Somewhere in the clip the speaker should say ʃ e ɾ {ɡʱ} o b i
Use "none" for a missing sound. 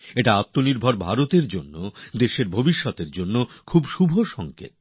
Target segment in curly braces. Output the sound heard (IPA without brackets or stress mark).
bʱ